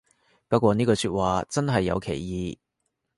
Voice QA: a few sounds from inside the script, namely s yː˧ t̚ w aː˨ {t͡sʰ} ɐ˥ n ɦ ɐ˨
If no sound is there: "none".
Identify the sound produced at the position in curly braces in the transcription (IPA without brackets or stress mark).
t͡s